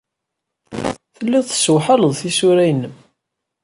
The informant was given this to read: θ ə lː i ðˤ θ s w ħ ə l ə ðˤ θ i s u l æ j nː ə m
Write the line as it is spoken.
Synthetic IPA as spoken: θ ə lː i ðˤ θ s w ħ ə l ə ðˤ θ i s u ɾ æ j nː ə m